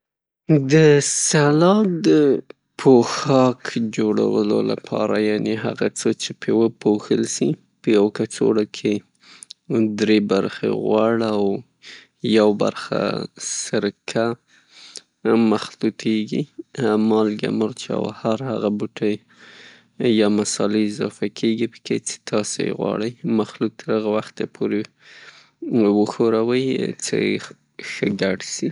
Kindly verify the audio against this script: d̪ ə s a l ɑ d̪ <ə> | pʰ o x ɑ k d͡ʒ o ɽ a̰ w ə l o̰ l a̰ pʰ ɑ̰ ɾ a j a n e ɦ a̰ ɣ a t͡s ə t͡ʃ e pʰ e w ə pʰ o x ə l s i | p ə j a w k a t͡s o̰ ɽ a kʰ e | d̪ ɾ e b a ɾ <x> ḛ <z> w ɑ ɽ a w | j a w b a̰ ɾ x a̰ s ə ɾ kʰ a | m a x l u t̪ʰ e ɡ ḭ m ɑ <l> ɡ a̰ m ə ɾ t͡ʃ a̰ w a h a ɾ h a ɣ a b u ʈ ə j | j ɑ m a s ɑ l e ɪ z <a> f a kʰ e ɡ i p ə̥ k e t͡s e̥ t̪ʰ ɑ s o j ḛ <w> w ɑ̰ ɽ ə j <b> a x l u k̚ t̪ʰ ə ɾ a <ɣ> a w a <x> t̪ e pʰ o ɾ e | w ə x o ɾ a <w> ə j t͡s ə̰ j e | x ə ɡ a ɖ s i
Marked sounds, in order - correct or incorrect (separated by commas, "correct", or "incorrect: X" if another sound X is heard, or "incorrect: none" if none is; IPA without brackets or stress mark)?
correct, correct, incorrect: ɣ, correct, incorrect: ɑ, incorrect: ɣ, incorrect: m, correct, correct, correct